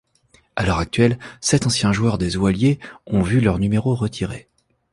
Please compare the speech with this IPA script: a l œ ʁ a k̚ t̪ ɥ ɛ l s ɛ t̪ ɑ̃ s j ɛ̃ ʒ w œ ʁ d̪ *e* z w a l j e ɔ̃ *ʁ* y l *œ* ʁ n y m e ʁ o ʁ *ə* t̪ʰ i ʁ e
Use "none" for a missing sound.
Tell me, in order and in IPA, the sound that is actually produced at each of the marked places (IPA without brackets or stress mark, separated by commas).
e, v, œ, ə